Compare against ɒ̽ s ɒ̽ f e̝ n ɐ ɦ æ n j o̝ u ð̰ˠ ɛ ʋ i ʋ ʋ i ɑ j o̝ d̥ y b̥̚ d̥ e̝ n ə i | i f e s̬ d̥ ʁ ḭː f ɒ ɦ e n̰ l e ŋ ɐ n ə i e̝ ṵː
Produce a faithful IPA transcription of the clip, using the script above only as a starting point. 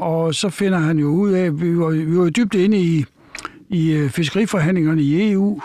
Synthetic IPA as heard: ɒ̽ s ɒ̽ f e̝ n ɐ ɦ æ n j o̝ u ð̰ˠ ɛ ʋ i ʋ ʋ i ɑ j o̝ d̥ y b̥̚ d̥ e̝ n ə i | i f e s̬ ɡ̥ ʁ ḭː f ɒ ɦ æ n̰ l e ŋ ɐ n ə i e̝ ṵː